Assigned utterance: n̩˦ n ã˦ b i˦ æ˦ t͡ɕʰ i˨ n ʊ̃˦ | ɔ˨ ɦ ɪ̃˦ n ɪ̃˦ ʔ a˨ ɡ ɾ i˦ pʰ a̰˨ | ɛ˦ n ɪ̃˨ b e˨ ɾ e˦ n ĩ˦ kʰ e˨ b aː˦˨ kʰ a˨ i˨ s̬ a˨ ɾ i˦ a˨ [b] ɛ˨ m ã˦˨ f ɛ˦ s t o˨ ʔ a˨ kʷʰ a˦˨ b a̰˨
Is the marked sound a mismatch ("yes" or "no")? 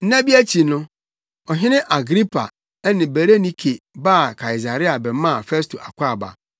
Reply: no